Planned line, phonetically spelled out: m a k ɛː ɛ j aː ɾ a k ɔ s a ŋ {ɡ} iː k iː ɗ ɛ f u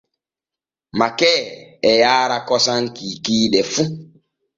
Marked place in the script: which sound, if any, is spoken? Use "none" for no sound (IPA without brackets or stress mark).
k